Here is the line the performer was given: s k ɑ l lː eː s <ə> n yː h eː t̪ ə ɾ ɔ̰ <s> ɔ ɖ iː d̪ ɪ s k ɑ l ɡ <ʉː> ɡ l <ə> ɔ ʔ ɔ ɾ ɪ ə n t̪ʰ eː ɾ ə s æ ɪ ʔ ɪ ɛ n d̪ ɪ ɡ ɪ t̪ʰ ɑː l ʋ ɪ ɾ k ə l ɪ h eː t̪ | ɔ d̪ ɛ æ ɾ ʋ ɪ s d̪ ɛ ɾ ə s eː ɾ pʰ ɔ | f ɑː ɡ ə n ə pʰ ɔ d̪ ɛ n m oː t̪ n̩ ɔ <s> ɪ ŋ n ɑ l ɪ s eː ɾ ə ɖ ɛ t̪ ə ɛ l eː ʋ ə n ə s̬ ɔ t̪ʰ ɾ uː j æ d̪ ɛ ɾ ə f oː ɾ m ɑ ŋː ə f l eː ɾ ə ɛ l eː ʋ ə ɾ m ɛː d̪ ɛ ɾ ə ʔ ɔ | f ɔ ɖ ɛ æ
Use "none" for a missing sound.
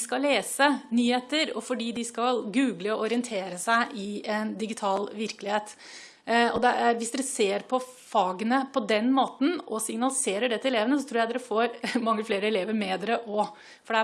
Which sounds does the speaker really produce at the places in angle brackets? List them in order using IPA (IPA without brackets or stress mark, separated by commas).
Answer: ə, f, ʉː, ə, s